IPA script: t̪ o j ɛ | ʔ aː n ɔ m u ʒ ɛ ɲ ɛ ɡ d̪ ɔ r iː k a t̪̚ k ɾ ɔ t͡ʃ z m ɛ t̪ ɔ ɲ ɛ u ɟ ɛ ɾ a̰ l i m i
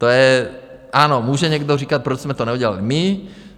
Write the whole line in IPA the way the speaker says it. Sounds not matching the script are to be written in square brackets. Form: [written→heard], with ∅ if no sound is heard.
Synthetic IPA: t̪ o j ɛ | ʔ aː n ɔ m [u→uː] ʒ ɛ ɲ ɛ ɡ d̪ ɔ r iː k a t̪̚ [k→p] ɾ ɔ t͡ʃ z m ɛ t̪ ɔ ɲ ɛ u ɟ ɛ [ɾ→l] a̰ l i m i